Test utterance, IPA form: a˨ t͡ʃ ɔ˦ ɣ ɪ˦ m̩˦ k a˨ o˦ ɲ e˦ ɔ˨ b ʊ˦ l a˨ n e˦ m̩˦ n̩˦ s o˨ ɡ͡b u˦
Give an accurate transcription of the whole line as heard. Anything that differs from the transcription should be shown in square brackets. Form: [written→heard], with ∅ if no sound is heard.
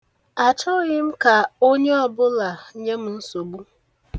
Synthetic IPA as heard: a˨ t͡ʃ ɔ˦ ɣ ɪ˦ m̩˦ k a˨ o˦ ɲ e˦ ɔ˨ b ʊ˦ l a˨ [n→ɲ] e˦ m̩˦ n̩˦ s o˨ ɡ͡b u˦